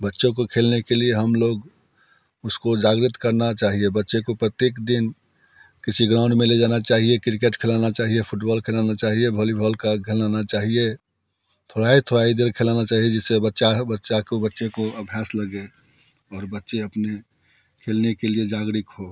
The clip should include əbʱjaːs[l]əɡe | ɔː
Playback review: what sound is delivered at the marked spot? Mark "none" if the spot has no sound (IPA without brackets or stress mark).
l